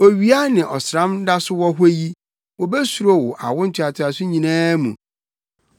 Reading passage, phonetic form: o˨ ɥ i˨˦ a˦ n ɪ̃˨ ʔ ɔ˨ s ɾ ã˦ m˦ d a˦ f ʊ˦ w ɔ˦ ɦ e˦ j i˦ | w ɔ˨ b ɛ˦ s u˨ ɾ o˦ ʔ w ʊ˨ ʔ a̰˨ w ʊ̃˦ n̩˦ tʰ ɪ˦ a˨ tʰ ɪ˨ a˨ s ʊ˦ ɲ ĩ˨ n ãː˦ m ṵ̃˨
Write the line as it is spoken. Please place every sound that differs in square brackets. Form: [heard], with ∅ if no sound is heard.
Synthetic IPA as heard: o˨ ɥ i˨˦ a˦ n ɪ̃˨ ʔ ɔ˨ s ɾ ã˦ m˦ d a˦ [s] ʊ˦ w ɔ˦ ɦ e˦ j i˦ | w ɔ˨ b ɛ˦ s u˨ ɾ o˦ [∅] w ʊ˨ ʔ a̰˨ w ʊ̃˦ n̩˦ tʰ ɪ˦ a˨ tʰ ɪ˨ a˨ s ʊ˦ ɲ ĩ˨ n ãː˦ m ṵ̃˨